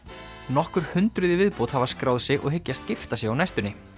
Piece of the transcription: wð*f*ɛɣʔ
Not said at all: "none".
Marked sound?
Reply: s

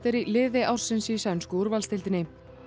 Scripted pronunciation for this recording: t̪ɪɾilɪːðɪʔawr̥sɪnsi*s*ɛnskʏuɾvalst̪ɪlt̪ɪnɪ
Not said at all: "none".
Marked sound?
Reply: s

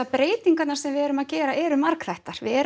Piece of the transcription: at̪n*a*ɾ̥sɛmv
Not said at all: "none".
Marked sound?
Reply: a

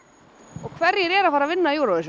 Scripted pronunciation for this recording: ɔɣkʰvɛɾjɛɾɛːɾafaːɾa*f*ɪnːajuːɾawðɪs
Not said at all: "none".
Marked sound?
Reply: v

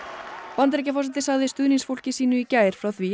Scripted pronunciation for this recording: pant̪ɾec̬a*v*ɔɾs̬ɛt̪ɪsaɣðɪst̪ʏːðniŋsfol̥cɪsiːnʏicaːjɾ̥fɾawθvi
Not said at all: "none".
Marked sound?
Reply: f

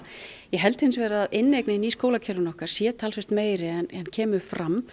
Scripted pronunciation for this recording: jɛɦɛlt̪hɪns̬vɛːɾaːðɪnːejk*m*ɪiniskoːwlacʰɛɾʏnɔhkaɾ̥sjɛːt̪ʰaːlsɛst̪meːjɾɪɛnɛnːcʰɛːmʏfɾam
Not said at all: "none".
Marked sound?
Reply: n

